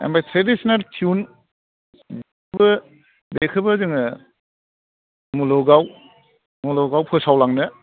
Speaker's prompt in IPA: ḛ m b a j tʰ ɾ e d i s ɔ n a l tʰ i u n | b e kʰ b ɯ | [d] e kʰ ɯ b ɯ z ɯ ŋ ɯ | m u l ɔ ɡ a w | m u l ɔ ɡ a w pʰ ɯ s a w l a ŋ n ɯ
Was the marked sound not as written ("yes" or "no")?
yes